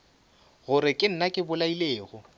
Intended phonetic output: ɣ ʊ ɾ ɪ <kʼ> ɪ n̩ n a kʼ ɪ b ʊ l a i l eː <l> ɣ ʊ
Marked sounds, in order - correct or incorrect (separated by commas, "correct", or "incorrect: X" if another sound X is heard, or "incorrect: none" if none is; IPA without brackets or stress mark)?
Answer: correct, incorrect: none